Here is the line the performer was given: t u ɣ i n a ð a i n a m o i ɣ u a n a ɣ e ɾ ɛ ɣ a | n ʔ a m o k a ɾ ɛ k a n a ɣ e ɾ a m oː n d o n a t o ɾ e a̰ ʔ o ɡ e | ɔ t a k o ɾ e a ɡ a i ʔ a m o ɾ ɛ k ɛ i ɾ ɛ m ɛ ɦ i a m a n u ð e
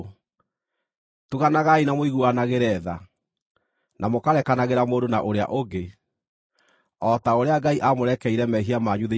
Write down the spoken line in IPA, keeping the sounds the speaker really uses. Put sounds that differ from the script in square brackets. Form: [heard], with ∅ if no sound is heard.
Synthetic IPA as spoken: t u ɣ [a] n a [ɣ] a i n a m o i ɣ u a n a ɣ e ɾ ɛ [ð] a | n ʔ a m o k a ɾ ɛ k a n a ɣ e ɾ a m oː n d o n a [ʔ] o ɾ e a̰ ʔ o ɡ e | ɔ t a [∅] o ɾ e a ɡ a i ʔ a m o ɾ ɛ k ɛ i ɾ ɛ m ɛ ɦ i a m a [ɲ] u ð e